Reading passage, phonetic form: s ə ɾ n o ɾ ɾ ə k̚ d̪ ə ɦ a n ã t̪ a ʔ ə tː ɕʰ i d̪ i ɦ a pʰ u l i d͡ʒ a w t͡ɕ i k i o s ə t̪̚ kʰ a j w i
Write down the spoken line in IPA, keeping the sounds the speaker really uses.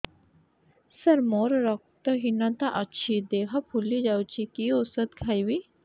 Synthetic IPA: s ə ɾ m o ɾ ɾ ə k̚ t̪ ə ɦ i n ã t̪ a ʔ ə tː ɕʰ i d̪ e ɦ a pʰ u l i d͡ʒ a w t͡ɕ i k i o s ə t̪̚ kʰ a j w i